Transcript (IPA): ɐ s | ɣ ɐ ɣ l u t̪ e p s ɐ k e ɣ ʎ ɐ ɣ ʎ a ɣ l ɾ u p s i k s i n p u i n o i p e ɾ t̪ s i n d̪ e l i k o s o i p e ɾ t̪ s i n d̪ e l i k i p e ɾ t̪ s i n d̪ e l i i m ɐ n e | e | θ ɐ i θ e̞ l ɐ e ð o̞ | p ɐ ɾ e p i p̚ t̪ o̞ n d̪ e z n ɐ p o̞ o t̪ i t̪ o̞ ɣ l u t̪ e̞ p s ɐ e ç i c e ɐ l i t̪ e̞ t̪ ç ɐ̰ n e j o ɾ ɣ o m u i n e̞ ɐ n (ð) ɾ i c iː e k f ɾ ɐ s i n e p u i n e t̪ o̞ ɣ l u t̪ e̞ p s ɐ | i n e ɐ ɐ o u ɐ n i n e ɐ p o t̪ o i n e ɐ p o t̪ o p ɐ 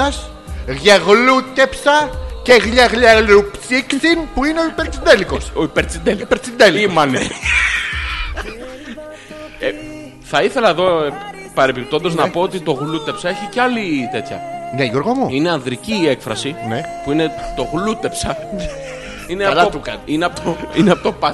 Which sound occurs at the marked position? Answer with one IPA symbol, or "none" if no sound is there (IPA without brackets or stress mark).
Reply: ð